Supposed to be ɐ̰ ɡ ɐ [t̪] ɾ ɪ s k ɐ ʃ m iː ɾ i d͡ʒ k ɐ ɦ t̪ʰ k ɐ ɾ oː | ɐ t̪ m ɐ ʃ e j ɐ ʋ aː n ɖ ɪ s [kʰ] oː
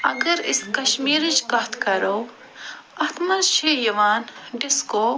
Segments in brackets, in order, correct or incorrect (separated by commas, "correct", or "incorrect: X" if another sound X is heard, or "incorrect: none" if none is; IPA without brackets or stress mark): incorrect: none, incorrect: k